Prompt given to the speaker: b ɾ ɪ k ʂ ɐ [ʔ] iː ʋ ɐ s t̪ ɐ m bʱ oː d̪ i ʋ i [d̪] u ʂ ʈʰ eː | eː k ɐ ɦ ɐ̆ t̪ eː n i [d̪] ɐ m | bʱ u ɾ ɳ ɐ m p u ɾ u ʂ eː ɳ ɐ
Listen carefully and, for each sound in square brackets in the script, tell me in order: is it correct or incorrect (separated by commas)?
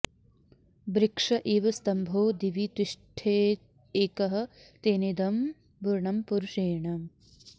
correct, incorrect, correct